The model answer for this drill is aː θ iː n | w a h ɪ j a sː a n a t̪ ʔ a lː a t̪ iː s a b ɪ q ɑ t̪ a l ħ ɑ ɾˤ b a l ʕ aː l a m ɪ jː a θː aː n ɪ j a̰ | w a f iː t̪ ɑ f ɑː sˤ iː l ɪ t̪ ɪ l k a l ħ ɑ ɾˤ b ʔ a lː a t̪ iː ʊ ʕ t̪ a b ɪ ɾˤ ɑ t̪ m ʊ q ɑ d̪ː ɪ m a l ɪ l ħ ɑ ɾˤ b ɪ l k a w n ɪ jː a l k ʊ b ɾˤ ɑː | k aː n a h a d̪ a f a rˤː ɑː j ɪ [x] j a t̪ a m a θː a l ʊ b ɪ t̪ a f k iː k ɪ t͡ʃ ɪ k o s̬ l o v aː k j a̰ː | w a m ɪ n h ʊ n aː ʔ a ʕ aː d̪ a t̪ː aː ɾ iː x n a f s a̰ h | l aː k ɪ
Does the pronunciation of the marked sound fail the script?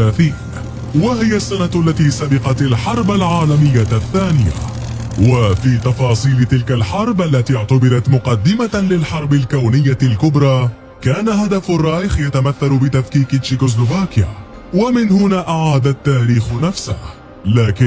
no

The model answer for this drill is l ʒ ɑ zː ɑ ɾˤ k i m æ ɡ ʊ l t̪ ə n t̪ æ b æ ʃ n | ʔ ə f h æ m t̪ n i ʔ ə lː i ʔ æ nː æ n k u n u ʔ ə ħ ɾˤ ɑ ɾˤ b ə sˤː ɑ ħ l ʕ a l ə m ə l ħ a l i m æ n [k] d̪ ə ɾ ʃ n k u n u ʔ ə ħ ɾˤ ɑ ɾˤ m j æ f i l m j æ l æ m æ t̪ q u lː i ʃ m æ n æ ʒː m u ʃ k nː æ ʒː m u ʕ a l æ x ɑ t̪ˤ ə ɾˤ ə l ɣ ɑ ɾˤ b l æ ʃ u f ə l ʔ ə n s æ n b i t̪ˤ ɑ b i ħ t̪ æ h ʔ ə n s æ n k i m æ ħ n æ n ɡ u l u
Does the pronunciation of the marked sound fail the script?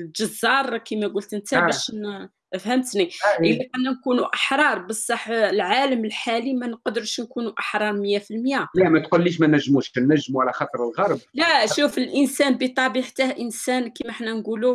yes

